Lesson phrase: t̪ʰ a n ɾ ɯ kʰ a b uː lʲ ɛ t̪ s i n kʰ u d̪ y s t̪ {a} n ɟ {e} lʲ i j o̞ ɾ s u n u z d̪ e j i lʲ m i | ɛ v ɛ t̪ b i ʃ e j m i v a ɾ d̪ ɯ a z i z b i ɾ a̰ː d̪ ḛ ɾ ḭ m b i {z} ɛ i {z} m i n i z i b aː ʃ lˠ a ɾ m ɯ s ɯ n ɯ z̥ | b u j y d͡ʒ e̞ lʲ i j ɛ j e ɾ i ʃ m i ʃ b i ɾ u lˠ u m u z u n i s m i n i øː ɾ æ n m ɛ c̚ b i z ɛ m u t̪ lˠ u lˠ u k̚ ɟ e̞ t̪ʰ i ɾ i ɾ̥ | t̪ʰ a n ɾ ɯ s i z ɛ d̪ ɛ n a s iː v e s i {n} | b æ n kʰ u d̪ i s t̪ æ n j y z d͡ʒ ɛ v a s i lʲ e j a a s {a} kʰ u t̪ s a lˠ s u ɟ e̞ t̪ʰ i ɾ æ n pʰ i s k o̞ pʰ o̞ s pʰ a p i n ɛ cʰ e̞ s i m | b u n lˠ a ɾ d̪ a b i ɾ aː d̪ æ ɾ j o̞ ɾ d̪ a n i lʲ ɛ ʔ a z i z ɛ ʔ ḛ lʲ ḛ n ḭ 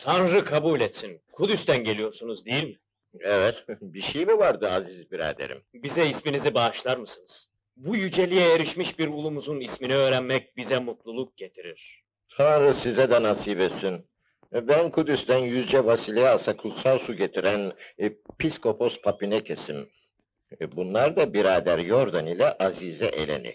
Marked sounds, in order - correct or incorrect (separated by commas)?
incorrect, correct, correct, incorrect, correct, correct